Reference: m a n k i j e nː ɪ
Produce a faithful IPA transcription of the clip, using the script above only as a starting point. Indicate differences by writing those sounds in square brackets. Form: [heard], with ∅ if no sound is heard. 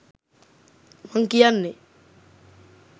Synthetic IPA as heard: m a [ŋ] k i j [a] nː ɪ